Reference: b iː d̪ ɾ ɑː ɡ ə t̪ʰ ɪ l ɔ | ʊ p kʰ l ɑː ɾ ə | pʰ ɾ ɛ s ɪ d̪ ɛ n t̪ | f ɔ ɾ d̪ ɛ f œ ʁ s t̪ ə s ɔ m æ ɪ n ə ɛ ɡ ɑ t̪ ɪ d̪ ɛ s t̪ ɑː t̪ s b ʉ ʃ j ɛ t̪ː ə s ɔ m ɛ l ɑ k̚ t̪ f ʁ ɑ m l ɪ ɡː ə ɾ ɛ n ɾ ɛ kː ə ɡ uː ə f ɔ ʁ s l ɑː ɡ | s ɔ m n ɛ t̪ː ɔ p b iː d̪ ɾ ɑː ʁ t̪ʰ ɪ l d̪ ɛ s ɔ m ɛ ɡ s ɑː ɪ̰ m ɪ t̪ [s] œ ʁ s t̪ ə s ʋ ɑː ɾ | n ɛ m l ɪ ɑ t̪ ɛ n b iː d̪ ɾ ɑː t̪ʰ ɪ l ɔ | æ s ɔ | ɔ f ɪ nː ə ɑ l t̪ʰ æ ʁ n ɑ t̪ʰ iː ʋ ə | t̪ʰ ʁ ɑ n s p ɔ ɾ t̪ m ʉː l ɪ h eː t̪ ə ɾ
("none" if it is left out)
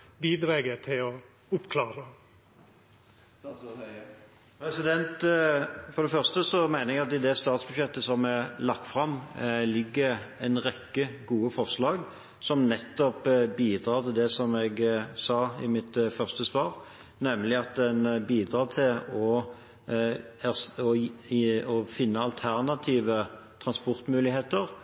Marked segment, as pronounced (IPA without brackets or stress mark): f